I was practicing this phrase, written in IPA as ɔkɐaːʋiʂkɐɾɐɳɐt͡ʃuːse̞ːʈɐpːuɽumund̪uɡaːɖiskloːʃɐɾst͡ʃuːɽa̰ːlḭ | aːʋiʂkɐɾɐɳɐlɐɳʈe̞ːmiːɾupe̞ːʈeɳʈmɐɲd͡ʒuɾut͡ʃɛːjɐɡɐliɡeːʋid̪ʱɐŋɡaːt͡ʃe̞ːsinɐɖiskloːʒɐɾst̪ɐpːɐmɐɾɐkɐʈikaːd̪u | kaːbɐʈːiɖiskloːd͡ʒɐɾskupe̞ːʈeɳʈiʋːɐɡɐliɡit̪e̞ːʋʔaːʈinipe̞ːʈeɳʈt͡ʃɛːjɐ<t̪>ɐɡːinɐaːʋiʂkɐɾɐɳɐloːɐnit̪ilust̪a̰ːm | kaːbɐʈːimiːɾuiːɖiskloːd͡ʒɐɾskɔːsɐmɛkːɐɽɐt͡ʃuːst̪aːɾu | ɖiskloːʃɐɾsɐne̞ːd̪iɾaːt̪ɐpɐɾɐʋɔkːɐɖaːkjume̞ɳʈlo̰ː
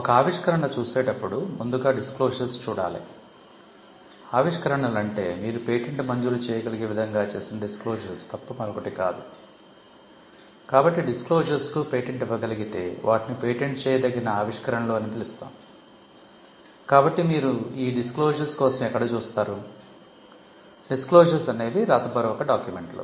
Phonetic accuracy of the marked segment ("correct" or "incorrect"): incorrect